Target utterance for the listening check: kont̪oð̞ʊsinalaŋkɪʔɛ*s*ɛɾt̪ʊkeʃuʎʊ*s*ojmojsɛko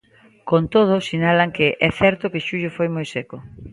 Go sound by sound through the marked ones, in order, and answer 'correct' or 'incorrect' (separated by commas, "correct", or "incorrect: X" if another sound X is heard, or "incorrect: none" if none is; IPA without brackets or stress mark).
incorrect: θ, incorrect: f